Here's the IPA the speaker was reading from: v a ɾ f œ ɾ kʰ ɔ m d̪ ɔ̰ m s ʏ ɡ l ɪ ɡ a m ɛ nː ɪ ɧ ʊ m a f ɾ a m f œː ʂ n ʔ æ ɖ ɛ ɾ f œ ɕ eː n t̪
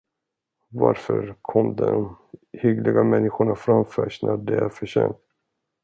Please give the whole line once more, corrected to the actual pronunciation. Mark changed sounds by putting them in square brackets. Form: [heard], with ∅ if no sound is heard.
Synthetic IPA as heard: v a ɾ f œ ɾ kʰ ɔ m d̪ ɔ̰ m [h] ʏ ɡ l ɪ ɡ a m ɛ nː ɪ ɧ ʊ [ɳ] a f ɾ a m f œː ʂ n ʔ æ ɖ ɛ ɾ f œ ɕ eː n t̪